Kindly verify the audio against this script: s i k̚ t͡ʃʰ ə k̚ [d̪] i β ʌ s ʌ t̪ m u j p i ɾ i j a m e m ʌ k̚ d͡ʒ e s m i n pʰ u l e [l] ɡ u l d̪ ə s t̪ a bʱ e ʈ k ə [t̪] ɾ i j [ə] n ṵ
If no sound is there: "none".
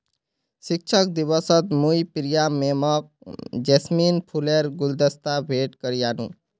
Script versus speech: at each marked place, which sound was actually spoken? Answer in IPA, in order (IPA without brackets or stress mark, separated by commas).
d̪, ɾ, none, a